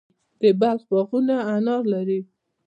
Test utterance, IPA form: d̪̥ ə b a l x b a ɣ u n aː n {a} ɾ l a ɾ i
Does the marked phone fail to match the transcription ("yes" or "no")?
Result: yes